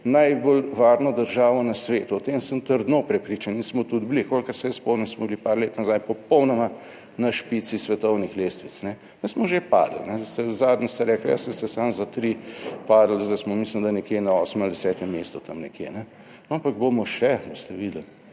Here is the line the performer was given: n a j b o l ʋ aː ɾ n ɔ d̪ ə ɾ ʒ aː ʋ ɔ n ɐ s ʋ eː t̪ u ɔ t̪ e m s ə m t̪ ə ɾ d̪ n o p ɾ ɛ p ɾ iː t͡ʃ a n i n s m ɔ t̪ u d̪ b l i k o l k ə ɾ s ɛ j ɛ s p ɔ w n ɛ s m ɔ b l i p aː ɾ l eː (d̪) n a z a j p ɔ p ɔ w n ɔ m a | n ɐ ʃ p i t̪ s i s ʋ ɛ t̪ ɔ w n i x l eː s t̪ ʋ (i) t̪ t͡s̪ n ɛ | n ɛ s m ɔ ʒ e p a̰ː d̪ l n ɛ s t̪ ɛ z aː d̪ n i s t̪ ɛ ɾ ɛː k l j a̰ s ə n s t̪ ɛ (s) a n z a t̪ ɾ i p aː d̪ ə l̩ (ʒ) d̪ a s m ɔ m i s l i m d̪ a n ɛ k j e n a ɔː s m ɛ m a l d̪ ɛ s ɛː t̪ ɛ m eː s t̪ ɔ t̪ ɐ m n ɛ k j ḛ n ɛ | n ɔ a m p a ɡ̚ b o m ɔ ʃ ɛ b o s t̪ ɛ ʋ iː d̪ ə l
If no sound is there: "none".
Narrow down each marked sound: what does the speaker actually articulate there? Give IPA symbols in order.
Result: t̪, i, s, z

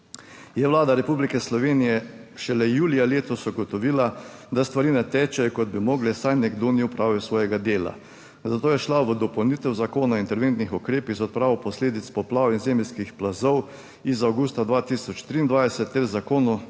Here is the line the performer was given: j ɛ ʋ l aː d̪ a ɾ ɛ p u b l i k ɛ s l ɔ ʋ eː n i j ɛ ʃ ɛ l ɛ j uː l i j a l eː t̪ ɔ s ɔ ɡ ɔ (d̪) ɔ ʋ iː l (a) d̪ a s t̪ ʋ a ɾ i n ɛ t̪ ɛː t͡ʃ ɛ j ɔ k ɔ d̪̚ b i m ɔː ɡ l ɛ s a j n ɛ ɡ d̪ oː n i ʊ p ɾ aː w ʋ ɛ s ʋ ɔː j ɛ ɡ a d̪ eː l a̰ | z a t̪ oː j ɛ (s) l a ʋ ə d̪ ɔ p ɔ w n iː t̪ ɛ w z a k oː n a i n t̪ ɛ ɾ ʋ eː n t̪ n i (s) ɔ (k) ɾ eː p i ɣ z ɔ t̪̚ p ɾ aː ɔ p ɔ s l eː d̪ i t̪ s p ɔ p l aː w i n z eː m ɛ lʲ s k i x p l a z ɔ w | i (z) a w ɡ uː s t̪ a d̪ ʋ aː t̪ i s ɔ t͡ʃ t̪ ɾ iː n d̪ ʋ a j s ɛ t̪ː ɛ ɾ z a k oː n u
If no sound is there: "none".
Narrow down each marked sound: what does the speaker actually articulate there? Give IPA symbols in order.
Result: t̪, a, ʃ, x, k, z

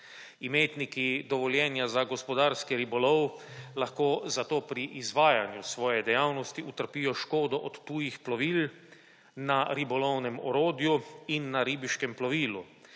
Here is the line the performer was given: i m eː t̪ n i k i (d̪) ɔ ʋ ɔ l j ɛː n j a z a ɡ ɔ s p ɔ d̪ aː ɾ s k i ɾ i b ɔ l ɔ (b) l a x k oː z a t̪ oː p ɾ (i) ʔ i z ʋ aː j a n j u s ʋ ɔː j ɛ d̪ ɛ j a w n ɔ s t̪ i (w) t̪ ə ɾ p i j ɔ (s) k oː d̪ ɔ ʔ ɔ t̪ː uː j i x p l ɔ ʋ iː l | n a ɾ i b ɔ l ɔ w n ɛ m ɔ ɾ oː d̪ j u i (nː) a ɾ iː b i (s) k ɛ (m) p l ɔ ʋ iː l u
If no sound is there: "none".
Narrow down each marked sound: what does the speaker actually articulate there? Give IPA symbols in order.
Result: d̪, w, i, u, ʃ, nː, ʃ, m

